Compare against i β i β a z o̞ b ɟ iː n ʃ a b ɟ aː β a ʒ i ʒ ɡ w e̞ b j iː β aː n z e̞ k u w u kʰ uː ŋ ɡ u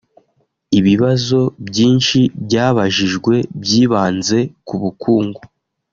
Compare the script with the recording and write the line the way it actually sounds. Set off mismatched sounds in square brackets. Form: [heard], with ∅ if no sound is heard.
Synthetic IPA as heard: i β i β a z o̞ b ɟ iː n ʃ [i] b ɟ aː β a ʒ i ʒ ɡ w e̞ b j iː β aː n z e̞ k u [β] u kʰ uː ŋ ɡ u